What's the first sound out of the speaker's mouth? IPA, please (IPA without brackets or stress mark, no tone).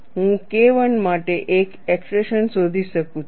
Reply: ɦ